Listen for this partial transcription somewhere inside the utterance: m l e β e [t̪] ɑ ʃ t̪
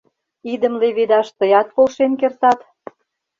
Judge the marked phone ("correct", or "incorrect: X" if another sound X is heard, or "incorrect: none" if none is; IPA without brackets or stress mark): incorrect: d̪